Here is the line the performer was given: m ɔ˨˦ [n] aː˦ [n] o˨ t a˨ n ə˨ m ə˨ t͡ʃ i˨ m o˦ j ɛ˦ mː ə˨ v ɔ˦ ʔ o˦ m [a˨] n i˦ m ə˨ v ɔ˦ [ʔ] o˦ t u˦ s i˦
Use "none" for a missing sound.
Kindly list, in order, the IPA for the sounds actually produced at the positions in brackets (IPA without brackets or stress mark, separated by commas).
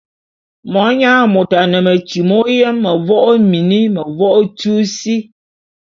ɲ, m, i˨, ʔ